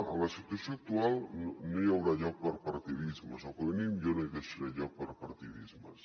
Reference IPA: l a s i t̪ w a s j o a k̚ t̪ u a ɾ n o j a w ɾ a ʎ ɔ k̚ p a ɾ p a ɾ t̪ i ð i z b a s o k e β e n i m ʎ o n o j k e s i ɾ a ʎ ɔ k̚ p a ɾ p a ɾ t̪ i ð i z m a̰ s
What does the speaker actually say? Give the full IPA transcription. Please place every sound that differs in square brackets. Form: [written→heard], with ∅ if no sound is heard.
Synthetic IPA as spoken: l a s i t̪ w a s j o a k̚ t̪ u a [ɾ→l] n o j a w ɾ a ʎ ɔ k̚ p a ɾ p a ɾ t̪ i ð i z [b→m] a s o k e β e n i m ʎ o n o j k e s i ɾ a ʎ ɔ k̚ p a ɾ p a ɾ t̪ i ð i z m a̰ s

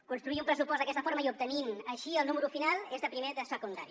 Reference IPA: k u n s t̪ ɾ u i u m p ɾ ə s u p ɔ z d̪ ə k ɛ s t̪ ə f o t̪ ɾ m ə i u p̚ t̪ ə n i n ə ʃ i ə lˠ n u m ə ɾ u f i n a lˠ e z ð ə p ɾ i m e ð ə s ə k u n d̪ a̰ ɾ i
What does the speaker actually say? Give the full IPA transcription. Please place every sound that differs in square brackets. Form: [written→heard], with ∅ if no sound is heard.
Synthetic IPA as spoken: k u n s t̪ ɾ u i u m p ɾ ə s u p ɔ z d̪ ə k ɛ s t̪ ə f o [t̪→∅] ɾ m ə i u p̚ t̪ ə n i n ə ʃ i ə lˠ n u m ə ɾ u f i n a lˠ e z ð ə p ɾ i m e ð ə s ə k u n d̪ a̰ ɾ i

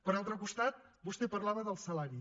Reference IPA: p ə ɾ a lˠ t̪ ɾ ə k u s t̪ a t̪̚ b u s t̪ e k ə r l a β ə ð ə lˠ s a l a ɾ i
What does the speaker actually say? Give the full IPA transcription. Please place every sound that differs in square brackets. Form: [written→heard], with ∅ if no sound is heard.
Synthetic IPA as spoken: p ə ɾ a lˠ t̪ ɾ ə k u s t̪ a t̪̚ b u s t̪ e [k→p] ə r l a β ə ð ə lˠ s [a→ə] l a ɾ i

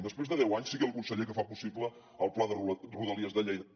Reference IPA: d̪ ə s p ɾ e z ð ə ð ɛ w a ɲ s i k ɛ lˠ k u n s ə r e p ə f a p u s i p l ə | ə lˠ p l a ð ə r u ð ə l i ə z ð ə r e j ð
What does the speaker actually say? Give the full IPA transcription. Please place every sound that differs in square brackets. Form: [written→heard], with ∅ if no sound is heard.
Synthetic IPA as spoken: d̪ ə s p ɾ e z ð ə ð ɛ w a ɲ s i k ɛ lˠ k u n s ə [r→ʎ] e [p→k] ə f a p u s i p l ə | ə lˠ p l a ð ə r u ð ə l i ə z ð ə [r→ʎ] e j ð

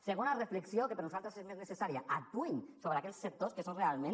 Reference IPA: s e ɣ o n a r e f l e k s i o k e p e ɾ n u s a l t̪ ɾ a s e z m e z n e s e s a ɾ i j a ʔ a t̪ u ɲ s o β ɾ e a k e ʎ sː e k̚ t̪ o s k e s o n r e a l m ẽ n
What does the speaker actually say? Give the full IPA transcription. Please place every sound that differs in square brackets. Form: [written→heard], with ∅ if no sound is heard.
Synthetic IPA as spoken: s e ɣ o n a r e f l e k s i o k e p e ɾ n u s a l t̪ ɾ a s e z m e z n e s e s a ɾ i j a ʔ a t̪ u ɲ s o β ɾ e a k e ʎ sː e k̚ t̪ o s k e s o n r e a l m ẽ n

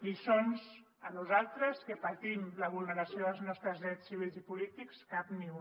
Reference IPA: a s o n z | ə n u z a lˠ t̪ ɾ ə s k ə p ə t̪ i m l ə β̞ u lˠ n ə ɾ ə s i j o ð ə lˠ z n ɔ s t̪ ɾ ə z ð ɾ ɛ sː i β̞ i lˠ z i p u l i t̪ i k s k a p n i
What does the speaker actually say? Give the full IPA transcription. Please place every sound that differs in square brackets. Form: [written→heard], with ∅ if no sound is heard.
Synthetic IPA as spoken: [a→i] s o n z | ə n u z a lˠ t̪ ɾ ə s k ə p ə t̪ i m l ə β̞ u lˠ n ə ɾ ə s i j o ð ə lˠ z n ɔ s t̪ ɾ ə z ð ɾ ɛ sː i β̞ i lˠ z i p u l i t̪ i k s k a p n i

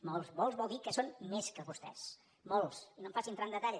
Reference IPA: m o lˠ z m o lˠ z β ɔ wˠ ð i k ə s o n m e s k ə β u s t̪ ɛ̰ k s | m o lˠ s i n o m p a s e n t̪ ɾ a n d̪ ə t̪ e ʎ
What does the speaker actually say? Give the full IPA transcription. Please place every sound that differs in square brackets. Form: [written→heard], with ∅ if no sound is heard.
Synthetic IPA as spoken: m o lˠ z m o lˠ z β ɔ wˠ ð i k ə s o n m e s k ə β u s t̪ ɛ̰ [k→∅] s | m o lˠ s i n o m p a s [e→i] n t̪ ɾ a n d̪ ə t̪ [e→a] ʎ

